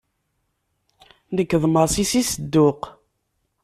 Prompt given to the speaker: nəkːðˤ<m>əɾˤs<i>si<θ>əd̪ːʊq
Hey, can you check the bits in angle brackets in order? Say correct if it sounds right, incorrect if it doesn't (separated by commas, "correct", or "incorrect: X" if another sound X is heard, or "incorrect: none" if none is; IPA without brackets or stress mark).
correct, correct, incorrect: s